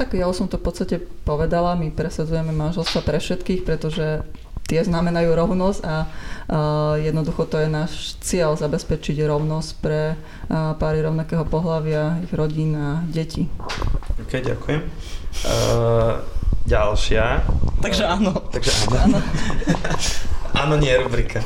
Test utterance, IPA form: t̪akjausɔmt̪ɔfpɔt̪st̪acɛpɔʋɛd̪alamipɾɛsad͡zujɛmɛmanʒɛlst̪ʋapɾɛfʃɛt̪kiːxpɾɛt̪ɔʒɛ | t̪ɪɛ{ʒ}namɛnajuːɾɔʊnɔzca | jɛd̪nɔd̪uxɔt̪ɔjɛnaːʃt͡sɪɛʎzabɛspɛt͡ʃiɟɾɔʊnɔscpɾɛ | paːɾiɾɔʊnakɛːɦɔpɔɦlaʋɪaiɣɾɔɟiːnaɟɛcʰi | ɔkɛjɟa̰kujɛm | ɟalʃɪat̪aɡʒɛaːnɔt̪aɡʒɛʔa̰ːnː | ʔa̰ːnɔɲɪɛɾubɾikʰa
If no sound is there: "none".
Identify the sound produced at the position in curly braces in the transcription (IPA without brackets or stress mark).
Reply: z